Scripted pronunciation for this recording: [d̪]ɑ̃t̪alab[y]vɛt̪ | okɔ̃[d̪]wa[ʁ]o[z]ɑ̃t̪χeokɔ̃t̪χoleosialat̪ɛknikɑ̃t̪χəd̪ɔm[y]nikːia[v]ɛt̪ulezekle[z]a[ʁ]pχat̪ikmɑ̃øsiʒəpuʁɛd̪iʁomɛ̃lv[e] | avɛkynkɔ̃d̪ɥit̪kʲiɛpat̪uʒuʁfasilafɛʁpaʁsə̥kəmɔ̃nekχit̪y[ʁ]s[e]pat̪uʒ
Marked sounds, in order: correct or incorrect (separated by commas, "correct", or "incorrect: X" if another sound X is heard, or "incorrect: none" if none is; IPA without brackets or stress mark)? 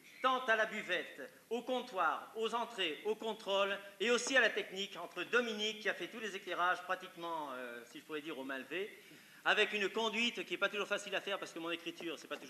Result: incorrect: t̪, correct, incorrect: t̪, correct, correct, incorrect: i, incorrect: f, incorrect: ʁ, incorrect: ʒ, correct, correct, incorrect: ɛ